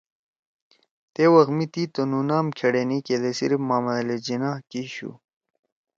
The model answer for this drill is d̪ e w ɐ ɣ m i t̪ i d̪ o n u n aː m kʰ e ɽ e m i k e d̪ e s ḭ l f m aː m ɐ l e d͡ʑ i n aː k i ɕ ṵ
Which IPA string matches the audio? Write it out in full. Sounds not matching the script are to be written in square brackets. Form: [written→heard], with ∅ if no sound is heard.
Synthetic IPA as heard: [d̪→t̪] e w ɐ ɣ m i t̪ i [d̪→t̪] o n u n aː m kʰ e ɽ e [m→n] i k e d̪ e s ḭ [l→ɾ] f m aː m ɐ l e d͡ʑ i n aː k i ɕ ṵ